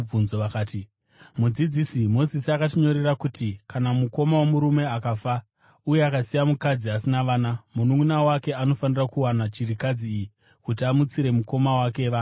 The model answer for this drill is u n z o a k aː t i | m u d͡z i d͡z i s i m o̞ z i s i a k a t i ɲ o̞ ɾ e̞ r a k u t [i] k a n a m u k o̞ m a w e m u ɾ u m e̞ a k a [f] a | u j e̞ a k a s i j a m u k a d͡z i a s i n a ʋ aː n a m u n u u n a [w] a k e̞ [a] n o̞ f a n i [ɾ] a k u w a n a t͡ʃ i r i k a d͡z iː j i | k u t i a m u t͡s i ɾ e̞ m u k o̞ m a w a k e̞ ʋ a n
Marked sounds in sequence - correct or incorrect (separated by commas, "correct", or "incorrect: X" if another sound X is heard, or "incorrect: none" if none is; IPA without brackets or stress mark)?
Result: correct, correct, correct, correct, incorrect: r